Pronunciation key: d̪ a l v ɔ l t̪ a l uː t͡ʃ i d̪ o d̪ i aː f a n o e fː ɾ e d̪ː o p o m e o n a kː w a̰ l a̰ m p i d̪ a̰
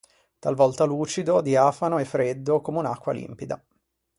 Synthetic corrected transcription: t̪ a l v ɔ l t̪ a l uː t͡ʃ i d̪ o d̪ i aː f a n o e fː ɾ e d̪ː o k o m e u n a kː w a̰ l ḭ m p i d̪ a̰